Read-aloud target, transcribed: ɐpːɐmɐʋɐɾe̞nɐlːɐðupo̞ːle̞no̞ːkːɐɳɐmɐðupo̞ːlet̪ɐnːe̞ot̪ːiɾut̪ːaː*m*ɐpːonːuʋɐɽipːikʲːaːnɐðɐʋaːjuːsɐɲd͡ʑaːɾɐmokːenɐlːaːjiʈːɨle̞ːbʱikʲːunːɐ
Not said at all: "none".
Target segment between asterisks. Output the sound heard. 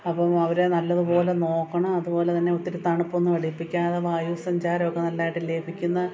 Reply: ɳ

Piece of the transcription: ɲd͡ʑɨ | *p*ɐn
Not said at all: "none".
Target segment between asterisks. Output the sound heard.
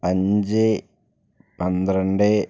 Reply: p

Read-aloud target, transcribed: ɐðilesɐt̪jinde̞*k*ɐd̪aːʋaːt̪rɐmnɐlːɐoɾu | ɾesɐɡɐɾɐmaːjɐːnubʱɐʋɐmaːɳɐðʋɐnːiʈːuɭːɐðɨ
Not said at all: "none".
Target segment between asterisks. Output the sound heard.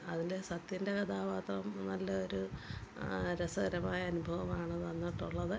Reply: k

